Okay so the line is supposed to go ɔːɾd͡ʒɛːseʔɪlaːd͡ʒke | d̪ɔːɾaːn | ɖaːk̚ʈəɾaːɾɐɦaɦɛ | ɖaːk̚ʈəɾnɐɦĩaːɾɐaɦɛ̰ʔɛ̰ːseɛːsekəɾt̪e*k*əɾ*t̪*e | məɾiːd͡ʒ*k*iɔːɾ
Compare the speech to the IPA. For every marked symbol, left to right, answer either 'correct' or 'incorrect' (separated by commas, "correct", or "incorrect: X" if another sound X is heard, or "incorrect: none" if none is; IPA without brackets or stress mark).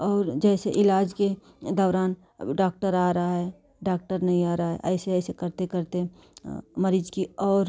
correct, correct, correct